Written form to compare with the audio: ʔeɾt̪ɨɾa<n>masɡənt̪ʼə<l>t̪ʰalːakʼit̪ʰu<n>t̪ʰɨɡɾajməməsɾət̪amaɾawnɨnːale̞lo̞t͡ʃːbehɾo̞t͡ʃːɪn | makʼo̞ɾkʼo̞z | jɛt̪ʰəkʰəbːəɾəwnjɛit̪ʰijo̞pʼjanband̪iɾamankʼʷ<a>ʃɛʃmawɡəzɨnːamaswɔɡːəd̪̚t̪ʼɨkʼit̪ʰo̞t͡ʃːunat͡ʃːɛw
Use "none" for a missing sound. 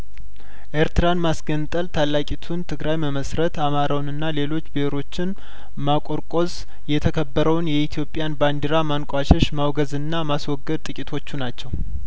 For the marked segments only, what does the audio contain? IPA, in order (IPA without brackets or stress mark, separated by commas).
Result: n, l, n, a